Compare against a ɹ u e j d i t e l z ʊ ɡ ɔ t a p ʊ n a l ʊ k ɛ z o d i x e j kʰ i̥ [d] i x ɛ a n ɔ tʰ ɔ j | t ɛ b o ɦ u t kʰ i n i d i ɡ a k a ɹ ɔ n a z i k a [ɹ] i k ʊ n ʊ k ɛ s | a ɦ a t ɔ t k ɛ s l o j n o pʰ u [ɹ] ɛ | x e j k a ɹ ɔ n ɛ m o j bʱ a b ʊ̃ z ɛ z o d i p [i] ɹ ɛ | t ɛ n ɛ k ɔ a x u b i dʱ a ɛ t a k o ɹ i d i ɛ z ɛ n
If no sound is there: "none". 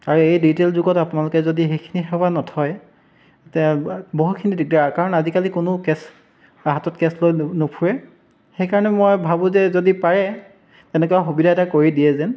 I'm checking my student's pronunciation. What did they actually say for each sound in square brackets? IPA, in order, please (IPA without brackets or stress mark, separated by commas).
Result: n, l, ɹ, a